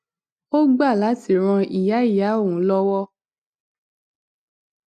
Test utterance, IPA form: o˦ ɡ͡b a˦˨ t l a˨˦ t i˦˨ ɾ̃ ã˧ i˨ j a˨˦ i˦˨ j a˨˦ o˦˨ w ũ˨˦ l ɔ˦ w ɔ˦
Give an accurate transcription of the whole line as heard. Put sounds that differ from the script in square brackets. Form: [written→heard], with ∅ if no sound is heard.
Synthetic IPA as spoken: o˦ ɡ͡b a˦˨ [t→∅] l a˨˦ t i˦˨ ɾ̃ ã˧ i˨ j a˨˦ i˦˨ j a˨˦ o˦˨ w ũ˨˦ l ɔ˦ w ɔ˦

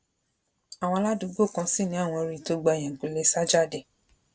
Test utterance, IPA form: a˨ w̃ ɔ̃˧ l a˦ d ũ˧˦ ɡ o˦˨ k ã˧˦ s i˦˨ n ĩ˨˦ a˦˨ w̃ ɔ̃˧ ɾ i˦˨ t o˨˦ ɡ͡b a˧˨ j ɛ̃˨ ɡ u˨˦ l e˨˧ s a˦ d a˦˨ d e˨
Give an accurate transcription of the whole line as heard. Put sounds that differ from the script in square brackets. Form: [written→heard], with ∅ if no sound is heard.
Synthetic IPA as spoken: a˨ w̃ ɔ̃˧ l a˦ d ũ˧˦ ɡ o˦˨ k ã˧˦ s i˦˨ n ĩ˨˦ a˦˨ w̃ ɔ̃˧ ɾ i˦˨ t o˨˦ ɡ͡b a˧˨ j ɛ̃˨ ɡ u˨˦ l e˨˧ s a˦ [d→d͡ʒ] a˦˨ d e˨

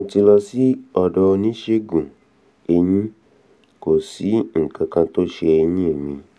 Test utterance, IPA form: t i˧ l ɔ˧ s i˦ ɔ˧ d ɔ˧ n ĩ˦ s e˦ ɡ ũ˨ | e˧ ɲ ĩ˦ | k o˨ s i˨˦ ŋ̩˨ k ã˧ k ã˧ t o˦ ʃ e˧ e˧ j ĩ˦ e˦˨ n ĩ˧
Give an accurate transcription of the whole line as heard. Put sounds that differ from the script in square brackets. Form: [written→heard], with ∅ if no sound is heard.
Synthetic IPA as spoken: t i˧ l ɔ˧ s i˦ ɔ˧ d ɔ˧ n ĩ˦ [s→ʃ] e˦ ɡ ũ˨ | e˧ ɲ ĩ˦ | k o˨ s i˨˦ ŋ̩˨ k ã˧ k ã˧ t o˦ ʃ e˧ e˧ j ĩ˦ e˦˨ [n→m] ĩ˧

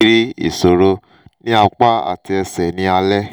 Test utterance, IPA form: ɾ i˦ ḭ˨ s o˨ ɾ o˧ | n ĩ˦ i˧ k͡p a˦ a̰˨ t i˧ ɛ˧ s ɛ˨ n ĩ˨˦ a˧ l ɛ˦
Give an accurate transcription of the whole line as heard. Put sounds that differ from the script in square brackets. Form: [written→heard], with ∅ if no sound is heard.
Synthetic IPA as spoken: ɾ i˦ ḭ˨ s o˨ ɾ o˧ | n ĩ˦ [i˧→a˧] k͡p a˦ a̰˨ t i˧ ɛ˧ s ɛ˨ n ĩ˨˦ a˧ l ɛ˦

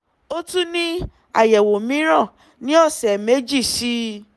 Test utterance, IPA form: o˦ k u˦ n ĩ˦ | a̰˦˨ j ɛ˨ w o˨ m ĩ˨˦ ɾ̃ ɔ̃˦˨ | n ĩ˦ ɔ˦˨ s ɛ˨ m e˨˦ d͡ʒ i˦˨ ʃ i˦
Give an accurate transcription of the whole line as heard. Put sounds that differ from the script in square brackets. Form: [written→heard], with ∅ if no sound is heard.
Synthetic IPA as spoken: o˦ [k→t] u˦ n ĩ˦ | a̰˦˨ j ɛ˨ w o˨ m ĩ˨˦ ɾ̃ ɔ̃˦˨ | n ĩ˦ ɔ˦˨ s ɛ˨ m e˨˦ d͡ʒ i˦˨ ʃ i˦

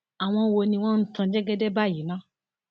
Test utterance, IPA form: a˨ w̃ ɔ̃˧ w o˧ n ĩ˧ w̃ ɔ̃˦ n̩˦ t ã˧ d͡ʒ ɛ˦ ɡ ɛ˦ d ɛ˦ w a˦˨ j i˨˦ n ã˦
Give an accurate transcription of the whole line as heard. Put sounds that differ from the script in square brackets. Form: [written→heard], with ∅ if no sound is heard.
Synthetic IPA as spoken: a˨ w̃ ɔ̃˧ w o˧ n ĩ˧ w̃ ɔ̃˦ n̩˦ t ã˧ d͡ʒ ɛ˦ ɡ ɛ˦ d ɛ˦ [w→b] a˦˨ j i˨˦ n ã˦

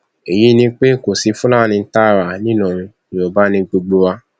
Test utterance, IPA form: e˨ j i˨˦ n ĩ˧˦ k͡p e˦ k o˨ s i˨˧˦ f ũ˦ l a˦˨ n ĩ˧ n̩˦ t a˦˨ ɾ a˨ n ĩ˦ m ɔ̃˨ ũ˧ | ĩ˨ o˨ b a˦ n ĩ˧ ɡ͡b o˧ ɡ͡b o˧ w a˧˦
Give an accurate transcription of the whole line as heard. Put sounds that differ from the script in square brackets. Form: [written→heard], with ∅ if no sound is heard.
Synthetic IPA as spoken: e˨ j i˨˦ n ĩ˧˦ k͡p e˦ k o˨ s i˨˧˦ f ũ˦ l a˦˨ n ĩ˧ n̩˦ t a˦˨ ɾ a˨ n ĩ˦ [m→n] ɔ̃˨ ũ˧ | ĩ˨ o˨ b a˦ n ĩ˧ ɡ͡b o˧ ɡ͡b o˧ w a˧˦

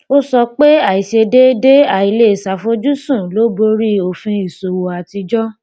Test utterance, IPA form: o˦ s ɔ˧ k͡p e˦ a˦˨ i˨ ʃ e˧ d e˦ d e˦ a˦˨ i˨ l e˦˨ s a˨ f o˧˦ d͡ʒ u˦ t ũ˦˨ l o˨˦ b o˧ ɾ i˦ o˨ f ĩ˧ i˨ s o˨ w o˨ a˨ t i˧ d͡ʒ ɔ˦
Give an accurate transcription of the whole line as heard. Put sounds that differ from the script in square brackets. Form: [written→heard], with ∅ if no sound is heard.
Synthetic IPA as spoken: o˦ s ɔ˧ k͡p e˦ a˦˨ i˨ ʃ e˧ d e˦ d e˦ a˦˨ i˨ l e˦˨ s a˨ f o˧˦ d͡ʒ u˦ [t→s] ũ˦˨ l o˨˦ b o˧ ɾ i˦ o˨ f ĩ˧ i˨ s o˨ w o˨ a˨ t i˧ d͡ʒ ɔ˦

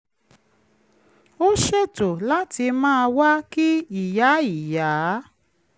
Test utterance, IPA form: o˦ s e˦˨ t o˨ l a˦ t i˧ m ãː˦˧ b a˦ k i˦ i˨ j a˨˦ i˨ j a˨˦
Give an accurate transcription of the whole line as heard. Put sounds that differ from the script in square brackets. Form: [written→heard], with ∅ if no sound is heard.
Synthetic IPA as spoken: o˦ [s→ʃ] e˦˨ t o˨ l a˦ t i˧ m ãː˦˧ [b→w] a˦ k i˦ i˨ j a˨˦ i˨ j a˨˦

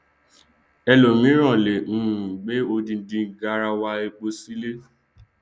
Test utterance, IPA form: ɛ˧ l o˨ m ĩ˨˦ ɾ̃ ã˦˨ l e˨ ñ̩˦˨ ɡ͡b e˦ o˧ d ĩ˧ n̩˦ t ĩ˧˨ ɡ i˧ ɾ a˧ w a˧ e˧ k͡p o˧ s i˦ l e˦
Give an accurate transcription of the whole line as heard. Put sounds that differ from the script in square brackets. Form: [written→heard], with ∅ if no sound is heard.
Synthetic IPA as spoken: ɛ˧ l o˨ m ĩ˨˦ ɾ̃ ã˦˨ l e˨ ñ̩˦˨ ɡ͡b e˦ o˧ d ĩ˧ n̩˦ [t→d] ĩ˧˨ ɡ [i˧→a˧] ɾ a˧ w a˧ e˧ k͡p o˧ s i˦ l e˦

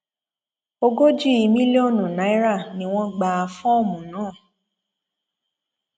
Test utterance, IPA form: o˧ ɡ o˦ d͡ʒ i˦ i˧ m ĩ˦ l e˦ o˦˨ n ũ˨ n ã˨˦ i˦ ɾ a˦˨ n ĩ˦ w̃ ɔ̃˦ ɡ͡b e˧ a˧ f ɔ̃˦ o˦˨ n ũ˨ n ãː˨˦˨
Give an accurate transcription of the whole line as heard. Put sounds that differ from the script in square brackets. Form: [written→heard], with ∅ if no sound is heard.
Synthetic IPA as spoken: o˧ ɡ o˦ d͡ʒ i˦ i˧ m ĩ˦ l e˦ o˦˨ n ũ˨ n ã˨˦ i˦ ɾ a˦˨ n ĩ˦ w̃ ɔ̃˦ ɡ͡b [e˧→a˧] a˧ f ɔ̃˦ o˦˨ [n→m] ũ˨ n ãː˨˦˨

